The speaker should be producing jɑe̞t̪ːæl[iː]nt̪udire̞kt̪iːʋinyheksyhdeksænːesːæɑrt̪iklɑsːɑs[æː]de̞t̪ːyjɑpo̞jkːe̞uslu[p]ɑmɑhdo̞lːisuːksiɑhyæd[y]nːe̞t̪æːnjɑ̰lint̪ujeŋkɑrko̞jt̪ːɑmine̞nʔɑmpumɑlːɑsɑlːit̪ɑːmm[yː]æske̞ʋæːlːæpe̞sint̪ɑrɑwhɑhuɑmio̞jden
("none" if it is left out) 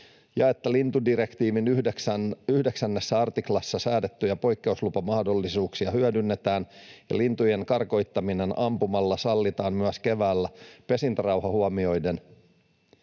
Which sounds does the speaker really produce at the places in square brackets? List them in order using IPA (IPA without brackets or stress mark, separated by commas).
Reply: i, æː, p, y, y